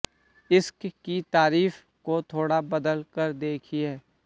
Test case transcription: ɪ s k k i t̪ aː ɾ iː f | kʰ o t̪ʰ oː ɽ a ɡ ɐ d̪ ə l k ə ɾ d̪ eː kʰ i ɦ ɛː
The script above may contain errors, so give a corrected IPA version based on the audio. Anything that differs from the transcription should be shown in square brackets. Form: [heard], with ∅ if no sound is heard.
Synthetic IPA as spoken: ɪ s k k i t̪ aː ɾ iː f | [k] o t̪ʰ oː ɽ a [b] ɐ d̪ ə l k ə ɾ d̪ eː kʰ i ɦ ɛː